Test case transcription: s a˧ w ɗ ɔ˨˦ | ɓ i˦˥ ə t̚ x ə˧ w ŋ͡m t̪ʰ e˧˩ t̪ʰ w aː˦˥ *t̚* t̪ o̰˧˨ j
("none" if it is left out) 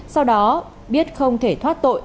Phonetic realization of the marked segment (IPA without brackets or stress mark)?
t̚